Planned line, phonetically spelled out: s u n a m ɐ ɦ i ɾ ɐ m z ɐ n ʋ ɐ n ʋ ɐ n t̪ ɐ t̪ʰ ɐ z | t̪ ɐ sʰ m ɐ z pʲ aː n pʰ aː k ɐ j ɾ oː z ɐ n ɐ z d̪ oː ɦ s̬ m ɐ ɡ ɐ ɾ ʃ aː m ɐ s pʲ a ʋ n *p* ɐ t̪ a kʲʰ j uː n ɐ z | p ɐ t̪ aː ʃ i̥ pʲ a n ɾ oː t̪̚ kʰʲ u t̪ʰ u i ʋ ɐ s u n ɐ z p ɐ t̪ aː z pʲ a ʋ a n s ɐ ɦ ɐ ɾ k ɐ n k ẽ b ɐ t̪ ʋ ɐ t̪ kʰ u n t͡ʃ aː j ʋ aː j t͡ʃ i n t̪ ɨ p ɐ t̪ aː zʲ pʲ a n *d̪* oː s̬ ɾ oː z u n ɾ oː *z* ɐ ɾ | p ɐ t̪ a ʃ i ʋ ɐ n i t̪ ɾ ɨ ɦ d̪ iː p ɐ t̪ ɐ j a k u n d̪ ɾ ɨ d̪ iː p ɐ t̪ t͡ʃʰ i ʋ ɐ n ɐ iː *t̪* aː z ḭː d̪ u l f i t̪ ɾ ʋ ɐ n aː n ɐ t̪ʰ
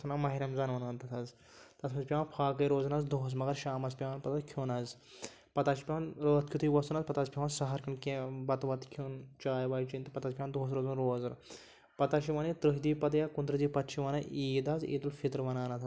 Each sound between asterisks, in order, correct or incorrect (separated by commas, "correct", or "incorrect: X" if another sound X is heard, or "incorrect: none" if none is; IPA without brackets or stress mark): correct, correct, correct, incorrect: d̪